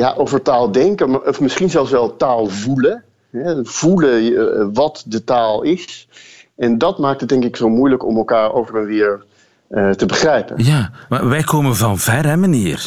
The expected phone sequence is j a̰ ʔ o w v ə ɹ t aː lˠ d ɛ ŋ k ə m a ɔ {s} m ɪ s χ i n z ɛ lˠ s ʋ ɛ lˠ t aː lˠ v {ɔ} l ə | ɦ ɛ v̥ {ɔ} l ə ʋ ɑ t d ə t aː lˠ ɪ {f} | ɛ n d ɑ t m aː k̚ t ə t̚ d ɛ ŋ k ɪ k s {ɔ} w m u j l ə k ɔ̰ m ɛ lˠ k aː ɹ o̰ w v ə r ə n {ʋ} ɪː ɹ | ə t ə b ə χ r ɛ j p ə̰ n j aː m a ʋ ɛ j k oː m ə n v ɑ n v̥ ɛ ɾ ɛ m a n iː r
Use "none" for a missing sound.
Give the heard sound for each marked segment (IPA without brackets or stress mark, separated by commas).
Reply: f, u, u, s, o, ʋ